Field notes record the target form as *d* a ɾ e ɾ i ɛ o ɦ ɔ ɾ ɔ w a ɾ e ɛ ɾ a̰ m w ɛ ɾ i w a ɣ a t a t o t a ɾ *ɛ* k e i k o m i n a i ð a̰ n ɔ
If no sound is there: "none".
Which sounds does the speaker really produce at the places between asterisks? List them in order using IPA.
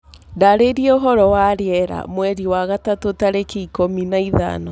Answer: d, e

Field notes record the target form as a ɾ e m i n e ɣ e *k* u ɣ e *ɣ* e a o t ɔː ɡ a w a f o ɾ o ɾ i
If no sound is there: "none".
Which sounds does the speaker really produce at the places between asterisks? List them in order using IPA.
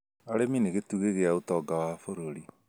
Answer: t, ɣ

